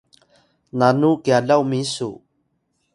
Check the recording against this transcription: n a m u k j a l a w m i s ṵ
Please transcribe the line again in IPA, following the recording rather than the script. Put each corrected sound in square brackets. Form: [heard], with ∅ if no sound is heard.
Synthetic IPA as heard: n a [n] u k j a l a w m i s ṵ